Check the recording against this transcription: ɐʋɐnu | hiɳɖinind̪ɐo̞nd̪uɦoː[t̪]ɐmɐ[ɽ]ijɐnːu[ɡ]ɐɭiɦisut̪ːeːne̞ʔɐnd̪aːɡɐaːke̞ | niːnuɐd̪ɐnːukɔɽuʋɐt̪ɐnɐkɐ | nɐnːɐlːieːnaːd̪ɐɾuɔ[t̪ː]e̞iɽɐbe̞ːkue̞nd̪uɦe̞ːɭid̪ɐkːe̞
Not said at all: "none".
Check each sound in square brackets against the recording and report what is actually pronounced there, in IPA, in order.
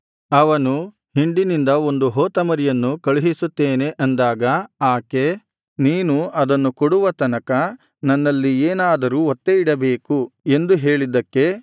t̪, ɾ, k, t̪ː

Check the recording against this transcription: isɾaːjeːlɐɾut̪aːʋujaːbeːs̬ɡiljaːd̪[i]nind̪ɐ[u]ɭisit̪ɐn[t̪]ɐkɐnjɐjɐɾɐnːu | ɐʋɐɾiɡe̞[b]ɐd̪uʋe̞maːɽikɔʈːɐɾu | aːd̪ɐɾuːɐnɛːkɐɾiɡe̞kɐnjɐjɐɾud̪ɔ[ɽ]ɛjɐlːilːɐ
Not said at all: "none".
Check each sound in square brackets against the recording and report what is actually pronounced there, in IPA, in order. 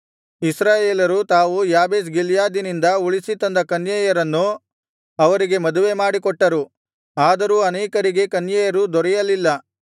i, u, d̪, m, ɾ

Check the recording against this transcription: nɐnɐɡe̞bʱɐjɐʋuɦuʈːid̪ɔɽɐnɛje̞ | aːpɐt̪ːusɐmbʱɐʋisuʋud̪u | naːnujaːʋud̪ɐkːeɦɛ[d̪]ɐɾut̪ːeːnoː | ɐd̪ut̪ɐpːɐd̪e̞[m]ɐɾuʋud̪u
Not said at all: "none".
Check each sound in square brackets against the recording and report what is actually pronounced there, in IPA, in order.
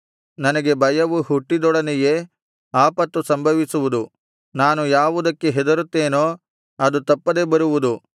d̪, b

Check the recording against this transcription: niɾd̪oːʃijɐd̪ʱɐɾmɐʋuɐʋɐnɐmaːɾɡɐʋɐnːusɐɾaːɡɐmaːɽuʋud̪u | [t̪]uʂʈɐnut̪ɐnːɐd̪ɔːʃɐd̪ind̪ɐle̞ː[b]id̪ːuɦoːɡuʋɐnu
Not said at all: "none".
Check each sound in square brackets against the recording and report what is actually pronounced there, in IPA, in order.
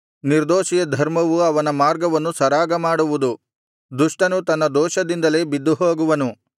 d̪, b

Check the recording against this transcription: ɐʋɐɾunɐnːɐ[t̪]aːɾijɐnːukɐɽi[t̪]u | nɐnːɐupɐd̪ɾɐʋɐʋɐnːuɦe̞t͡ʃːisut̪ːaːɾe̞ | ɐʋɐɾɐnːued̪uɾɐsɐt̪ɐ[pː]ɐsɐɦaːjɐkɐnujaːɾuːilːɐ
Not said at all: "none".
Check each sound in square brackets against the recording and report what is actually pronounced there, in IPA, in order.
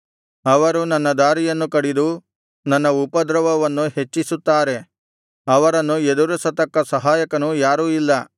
d̪, d̪, kː

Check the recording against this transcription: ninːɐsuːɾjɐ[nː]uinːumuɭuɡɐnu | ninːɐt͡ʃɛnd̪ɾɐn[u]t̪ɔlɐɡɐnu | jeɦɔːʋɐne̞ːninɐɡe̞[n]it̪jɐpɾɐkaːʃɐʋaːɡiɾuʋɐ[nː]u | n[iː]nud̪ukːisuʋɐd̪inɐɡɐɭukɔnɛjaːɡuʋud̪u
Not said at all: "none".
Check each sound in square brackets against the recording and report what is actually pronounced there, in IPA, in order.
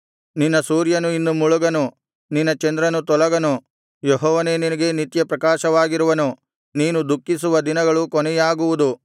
n, u, n, n, iː

